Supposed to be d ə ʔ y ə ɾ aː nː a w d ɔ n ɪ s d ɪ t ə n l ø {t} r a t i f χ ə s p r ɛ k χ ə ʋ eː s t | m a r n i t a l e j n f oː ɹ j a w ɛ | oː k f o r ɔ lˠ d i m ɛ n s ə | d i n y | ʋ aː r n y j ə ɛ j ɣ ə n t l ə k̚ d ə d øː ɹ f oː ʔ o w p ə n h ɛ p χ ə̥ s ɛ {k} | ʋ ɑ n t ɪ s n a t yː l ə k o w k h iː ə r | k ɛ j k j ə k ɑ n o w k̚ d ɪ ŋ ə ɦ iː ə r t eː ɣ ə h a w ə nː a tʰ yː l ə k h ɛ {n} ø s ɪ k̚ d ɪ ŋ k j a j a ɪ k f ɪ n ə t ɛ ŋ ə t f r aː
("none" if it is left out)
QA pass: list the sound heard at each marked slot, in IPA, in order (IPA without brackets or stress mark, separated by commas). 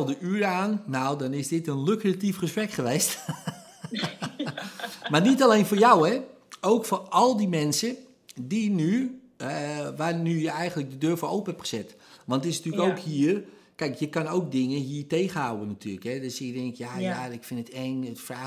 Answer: k, t, d